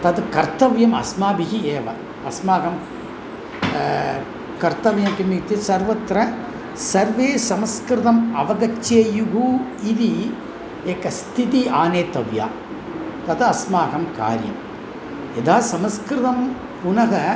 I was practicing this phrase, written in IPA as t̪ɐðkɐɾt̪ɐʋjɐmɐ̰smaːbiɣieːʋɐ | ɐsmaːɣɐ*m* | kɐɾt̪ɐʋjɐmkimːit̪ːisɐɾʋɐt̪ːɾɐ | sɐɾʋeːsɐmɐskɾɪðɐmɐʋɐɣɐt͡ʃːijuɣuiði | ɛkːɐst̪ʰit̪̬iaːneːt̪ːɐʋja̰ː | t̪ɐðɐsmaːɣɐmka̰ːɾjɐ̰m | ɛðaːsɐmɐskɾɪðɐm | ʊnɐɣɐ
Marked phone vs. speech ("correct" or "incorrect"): correct